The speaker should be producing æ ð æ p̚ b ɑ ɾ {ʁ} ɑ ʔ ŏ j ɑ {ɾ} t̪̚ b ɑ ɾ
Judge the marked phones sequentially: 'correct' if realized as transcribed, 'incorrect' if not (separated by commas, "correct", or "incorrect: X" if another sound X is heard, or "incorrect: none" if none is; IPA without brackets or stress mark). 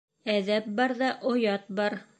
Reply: incorrect: ð, incorrect: none